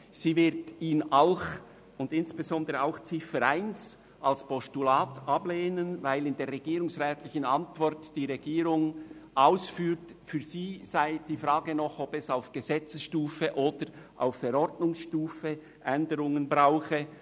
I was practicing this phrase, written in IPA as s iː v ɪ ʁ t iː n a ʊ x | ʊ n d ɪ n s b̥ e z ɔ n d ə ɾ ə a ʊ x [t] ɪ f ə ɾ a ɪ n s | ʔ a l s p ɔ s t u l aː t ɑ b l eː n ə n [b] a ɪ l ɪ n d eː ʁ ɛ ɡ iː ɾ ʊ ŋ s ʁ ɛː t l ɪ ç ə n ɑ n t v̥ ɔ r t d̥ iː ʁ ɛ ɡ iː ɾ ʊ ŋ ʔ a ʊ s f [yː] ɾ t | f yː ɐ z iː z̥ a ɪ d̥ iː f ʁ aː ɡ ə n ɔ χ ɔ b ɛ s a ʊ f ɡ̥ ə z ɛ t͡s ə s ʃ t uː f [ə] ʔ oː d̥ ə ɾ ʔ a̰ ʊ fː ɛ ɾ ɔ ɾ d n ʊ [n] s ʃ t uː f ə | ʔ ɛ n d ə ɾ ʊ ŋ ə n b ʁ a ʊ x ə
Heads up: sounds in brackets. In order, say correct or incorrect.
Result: incorrect: t͡s, incorrect: v, correct, correct, incorrect: ŋ

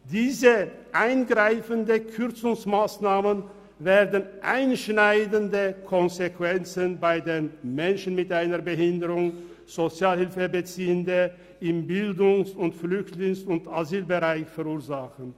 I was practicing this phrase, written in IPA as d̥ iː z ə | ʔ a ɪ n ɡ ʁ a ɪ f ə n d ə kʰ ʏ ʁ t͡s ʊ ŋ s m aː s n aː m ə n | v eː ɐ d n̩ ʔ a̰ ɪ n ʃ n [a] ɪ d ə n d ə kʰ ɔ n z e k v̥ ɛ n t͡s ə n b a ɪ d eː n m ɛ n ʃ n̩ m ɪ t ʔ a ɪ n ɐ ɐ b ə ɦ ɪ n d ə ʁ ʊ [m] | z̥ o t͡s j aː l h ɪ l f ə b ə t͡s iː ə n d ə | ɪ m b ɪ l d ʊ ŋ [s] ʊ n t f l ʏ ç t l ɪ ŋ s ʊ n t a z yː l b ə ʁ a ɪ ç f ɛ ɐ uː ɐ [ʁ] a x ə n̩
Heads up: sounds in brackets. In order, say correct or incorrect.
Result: correct, incorrect: ŋ, correct, incorrect: z

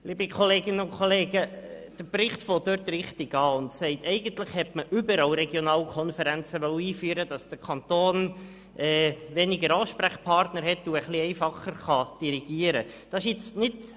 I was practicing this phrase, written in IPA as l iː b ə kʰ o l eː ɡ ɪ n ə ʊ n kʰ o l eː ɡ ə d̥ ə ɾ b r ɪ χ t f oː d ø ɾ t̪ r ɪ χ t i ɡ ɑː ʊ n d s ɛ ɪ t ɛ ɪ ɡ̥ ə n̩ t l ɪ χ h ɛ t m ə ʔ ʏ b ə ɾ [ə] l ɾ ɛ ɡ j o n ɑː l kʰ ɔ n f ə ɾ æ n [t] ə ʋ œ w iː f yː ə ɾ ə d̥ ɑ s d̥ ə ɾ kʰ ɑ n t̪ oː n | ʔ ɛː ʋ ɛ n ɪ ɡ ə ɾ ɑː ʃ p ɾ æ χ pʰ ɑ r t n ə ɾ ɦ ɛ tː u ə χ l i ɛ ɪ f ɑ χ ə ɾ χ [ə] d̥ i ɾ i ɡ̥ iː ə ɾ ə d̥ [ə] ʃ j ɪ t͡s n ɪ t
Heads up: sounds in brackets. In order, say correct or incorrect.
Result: incorrect: ɑ, incorrect: t͡s, incorrect: ɑ, incorrect: ɑ

